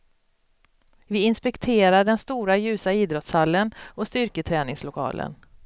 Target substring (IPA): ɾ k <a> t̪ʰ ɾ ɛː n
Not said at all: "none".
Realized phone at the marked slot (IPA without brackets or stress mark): ə